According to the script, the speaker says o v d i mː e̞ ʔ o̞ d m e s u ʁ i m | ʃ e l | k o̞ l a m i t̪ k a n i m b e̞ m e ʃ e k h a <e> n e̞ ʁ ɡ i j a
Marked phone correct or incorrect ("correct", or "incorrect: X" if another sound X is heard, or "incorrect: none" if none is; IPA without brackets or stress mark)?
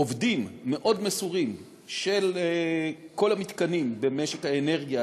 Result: correct